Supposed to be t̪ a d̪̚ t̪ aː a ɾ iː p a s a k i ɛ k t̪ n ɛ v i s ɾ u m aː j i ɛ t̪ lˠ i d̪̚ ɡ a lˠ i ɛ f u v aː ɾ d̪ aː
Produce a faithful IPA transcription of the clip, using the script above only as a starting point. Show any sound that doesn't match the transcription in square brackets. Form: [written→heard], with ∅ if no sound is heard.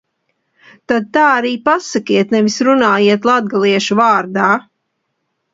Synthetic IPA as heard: t̪ a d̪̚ t̪ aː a ɾ iː p a s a k i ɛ [k→∅] t̪ n ɛ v i s ɾ u [m→n] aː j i ɛ t̪ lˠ [i→a] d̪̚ ɡ a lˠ i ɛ [f→ʃ] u v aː ɾ d̪ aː

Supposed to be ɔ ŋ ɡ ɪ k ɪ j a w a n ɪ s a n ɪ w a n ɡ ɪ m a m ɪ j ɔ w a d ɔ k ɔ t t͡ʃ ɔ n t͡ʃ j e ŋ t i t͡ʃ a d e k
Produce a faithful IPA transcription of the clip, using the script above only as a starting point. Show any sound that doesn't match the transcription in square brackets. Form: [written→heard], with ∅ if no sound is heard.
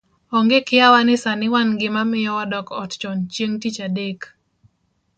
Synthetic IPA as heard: ɔ ŋ ɡ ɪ k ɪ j a w a n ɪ s a n ɪ w a n ɡ ɪ m a m ɪ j ɔ w a d ɔ k ɔ t t͡ʃ ɔ n t͡ʃ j e ŋ t i t͡ʃ a d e k

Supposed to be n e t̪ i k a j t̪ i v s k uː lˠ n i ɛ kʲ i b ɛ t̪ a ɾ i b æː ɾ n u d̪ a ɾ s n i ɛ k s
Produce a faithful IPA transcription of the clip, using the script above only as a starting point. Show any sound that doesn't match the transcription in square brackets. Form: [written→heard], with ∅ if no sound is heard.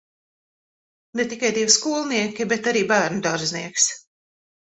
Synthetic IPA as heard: n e t̪ i k a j [t̪→d̪] i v s k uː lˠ n i ɛ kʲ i b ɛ t̪ a ɾ [i→iː] b æː ɾ n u d̪ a ɾ [s→z] n i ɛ k s

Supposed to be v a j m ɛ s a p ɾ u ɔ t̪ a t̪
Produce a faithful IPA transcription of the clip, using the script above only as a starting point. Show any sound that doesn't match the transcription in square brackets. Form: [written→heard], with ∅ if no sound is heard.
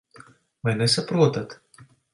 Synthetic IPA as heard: v a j [m→n] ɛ s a p ɾ u ɔ t̪ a t̪

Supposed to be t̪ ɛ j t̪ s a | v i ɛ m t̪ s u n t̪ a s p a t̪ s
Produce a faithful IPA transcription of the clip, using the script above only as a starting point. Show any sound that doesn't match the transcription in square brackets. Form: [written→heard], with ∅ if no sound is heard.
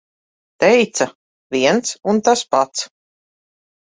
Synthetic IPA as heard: t̪ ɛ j t̪ s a | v i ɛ [m→n] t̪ s u n t̪ a s p a t̪ s

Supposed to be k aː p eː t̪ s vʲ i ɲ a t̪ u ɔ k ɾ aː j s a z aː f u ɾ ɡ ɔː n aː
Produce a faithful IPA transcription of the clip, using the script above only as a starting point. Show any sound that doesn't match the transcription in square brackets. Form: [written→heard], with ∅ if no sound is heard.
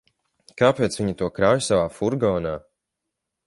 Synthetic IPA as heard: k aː p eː t̪ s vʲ i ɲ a t̪ u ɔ k ɾ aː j s a [z→v] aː f u ɾ ɡ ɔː n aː

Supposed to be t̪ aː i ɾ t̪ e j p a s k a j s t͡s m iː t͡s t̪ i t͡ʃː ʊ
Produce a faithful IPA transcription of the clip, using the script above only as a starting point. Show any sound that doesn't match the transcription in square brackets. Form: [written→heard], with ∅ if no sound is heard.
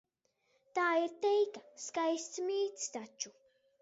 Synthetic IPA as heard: t̪ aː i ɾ t̪ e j [p→k] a s k a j s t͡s m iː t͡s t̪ [i→a] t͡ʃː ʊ

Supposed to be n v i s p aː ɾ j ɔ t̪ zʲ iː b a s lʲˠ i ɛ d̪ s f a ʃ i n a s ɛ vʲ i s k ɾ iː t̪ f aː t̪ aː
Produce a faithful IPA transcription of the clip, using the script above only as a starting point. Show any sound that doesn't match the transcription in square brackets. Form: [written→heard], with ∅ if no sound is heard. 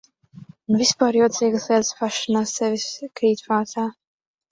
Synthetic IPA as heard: n v i s p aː ɾ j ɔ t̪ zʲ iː [b→ɡ] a s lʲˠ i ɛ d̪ s f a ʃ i n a s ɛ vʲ i s k ɾ iː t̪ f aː t̪ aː

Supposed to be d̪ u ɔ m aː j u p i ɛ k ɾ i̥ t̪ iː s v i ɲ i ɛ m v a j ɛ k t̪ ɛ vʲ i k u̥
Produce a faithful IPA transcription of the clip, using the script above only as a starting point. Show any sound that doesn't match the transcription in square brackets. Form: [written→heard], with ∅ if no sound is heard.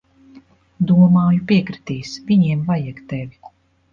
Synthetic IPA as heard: d̪ u ɔ m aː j u p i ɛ k ɾ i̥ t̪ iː s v i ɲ i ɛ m v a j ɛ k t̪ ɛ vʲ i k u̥

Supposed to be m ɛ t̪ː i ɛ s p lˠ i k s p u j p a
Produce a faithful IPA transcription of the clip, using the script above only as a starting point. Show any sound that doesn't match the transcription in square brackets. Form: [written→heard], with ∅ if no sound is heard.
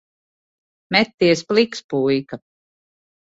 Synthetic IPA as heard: m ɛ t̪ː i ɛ s p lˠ i k s p u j [p→k] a

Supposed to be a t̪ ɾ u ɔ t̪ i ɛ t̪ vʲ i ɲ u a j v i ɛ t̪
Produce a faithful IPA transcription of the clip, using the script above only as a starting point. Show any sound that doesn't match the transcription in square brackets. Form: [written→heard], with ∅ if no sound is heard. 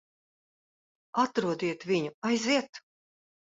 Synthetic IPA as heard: a t̪ ɾ u ɔ [t̪→d̪] i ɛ t̪ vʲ i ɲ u a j [v→z] i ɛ t̪

